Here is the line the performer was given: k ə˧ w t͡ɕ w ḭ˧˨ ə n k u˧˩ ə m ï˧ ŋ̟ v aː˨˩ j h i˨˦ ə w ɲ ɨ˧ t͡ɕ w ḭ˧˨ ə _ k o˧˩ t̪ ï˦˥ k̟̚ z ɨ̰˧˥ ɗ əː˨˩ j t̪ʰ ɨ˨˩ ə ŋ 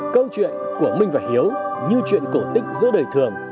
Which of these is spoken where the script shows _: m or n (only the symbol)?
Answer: n